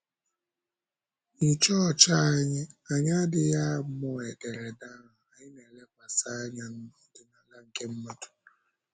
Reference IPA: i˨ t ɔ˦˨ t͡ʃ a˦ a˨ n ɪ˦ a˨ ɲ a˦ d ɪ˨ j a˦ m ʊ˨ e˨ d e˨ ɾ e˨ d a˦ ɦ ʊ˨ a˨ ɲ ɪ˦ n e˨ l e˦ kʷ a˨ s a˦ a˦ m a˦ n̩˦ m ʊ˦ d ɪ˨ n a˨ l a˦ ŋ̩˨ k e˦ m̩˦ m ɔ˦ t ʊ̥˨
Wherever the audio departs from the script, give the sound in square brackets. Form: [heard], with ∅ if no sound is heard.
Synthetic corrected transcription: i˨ [t͡ʃ] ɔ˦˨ t͡ʃ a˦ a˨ [ɲ] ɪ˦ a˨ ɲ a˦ d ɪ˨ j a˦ m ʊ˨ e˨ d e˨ ɾ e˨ d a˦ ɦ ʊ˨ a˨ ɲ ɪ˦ n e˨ l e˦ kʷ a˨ s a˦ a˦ [ɲ] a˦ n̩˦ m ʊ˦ d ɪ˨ n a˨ l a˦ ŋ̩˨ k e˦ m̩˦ m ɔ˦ t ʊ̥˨